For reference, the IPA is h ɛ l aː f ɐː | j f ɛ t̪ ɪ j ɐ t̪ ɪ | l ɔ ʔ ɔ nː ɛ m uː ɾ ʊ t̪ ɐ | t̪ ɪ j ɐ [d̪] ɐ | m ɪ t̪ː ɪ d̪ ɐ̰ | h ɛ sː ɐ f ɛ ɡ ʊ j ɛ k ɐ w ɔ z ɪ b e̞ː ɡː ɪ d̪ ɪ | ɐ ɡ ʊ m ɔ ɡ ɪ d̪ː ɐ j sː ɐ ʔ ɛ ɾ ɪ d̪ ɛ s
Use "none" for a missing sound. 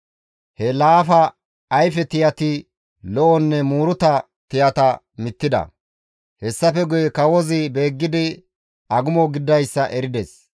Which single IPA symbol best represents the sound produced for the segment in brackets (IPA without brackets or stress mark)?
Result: t̪